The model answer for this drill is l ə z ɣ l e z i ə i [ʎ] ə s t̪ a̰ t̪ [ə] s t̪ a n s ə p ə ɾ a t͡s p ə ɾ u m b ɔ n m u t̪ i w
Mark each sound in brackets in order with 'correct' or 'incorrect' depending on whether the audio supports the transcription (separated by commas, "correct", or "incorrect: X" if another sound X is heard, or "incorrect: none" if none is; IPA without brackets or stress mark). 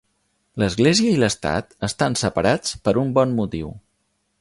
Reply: incorrect: l, correct